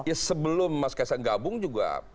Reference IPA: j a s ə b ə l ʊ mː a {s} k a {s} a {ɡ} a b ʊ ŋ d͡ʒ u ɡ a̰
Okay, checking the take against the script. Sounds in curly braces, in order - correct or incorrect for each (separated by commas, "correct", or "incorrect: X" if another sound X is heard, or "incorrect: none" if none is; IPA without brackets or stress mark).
correct, correct, correct